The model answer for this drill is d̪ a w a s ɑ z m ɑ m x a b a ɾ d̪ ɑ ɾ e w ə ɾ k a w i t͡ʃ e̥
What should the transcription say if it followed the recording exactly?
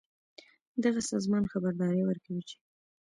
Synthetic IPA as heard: d̪ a ɣ a s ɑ z m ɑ n x a b a ɾ d̪ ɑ ɾ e w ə ɾ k a w i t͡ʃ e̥